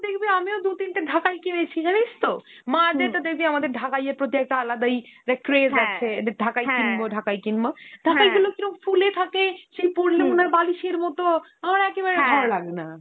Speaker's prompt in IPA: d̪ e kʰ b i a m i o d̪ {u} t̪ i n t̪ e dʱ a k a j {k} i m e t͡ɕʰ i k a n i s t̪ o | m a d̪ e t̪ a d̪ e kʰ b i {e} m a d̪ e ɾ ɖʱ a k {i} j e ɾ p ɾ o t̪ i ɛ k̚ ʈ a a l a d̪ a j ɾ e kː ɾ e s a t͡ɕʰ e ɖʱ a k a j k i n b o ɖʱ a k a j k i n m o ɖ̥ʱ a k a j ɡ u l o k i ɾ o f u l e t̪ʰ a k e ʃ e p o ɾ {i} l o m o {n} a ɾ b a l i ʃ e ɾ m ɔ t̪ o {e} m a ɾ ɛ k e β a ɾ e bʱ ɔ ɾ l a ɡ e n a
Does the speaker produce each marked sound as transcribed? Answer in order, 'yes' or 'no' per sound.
yes, yes, no, no, yes, yes, no

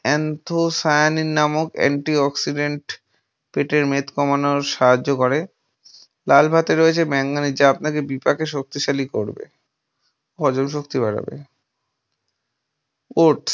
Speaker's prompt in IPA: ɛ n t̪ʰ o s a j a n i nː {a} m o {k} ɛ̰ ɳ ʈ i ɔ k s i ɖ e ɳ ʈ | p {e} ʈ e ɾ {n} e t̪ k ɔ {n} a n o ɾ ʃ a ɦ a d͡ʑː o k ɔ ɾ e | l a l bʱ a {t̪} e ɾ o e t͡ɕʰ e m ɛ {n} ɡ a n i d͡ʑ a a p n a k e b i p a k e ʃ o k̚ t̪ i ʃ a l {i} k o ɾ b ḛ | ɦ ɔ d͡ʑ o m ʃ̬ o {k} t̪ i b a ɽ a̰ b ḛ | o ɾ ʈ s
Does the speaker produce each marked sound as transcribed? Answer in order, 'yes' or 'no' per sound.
yes, yes, yes, no, no, yes, no, yes, yes

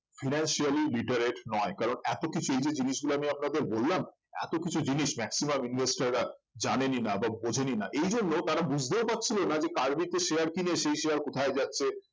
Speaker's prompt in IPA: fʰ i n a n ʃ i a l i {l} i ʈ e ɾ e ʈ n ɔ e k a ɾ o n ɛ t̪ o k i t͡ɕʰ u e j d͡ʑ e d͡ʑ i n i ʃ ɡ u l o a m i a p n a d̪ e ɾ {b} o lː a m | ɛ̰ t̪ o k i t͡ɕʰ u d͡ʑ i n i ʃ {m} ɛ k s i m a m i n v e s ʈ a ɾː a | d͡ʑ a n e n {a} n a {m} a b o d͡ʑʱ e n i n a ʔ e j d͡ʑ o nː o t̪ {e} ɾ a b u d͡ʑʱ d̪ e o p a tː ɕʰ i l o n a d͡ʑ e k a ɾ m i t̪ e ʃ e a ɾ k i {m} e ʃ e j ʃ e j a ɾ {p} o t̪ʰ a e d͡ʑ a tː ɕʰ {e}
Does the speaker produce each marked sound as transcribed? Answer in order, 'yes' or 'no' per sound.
yes, yes, yes, no, no, no, no, no, yes

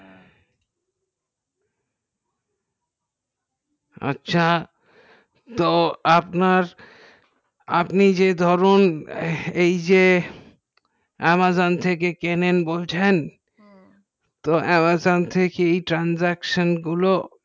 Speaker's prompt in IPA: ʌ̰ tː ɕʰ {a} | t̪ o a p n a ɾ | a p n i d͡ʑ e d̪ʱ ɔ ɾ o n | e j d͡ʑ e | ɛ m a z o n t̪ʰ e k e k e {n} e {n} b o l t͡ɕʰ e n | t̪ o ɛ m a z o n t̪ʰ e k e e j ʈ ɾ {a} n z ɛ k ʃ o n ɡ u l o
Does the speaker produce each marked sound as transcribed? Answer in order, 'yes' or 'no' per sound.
yes, yes, yes, yes

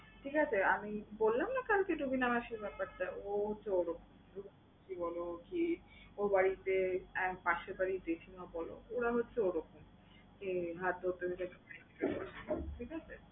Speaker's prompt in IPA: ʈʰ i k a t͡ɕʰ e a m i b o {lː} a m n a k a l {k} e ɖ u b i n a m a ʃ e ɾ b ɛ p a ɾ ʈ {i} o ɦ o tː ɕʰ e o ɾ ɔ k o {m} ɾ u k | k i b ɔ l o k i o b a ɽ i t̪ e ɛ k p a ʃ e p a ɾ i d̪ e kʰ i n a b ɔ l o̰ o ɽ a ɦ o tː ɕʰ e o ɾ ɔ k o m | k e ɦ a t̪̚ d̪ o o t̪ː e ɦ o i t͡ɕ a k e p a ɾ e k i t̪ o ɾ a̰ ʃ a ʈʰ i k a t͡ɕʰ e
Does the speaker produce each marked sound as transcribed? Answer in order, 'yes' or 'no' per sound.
yes, yes, no, yes

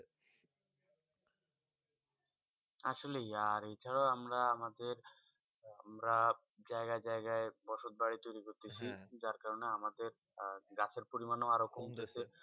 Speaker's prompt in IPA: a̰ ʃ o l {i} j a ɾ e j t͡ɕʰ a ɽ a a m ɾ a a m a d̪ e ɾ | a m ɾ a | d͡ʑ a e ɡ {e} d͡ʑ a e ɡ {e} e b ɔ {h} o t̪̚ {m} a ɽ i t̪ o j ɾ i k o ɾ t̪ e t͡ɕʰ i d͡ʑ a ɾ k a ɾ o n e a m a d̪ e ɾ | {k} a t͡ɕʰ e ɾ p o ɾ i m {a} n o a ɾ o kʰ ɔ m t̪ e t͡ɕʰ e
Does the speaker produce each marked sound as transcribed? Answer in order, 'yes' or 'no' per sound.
no, no, no, no, no, no, yes

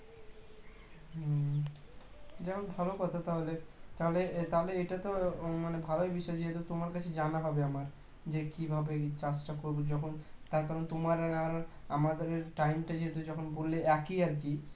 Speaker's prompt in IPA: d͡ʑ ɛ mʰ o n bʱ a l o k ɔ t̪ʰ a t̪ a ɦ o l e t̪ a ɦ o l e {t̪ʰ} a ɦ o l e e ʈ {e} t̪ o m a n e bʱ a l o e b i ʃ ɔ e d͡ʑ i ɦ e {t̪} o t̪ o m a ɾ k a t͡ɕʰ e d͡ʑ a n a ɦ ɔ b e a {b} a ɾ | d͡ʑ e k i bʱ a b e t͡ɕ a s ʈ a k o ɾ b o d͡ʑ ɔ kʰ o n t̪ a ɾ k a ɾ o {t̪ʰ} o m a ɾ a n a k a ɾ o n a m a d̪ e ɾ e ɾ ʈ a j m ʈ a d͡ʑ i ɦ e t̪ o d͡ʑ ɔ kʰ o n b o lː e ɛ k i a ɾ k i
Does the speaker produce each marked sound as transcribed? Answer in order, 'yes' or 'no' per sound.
no, no, yes, no, no

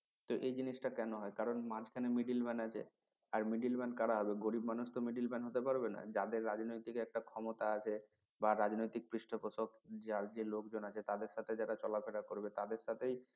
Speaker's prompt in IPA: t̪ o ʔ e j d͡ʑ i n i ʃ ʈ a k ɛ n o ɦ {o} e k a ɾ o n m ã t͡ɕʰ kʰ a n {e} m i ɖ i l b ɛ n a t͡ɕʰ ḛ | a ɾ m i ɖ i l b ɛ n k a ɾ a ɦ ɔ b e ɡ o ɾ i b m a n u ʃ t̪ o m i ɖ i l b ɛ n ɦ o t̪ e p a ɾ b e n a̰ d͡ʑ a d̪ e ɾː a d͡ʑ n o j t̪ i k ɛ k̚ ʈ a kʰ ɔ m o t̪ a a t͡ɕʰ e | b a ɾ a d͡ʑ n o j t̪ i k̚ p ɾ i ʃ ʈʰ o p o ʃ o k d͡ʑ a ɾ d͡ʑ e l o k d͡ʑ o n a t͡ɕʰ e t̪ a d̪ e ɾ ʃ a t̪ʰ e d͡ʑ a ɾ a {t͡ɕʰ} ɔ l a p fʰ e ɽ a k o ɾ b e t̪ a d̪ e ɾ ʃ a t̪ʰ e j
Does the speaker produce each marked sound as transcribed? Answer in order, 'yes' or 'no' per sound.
no, yes, no

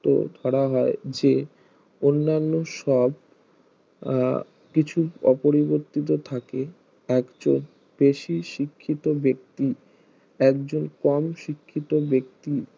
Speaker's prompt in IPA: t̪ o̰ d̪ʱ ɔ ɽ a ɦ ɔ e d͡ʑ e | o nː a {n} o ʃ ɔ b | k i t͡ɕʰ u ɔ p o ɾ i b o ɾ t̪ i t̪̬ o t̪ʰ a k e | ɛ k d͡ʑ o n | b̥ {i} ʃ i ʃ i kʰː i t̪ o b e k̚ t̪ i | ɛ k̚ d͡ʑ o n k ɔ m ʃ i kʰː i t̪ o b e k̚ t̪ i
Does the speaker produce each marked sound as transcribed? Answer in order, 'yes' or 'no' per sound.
no, no

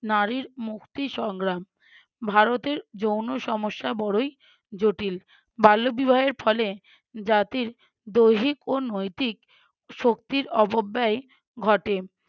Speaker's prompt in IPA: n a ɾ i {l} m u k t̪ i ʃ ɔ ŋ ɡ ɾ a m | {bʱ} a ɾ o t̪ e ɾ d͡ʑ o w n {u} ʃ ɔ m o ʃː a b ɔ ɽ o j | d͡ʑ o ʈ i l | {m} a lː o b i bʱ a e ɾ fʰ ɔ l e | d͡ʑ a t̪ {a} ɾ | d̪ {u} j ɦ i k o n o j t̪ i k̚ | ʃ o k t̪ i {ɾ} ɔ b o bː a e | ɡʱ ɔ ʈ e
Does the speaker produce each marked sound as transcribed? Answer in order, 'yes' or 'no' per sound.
no, yes, no, no, no, no, yes

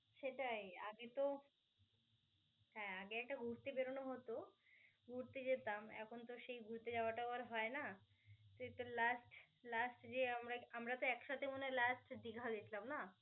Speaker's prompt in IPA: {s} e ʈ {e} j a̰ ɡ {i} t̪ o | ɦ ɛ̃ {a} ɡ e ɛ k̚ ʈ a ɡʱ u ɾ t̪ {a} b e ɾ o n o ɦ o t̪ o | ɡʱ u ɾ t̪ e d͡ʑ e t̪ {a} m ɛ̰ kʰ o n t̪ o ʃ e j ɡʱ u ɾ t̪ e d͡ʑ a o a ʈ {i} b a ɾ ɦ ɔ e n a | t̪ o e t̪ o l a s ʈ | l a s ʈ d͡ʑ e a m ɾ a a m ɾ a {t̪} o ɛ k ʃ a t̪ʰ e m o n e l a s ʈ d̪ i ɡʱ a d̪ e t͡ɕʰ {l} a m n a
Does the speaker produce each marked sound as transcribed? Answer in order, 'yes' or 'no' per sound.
no, no, no, yes, no, yes, no, yes, yes

